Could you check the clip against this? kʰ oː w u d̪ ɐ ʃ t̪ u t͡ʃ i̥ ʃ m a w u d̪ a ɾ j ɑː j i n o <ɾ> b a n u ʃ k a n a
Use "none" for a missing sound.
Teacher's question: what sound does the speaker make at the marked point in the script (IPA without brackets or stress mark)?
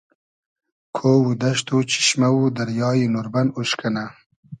ɾ